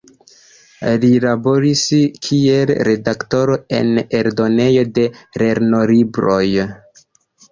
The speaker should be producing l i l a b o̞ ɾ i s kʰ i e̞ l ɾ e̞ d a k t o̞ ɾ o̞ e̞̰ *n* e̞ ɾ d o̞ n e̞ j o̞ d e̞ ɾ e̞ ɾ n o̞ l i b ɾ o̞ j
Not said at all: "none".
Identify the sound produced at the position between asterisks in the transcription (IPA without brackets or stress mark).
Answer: n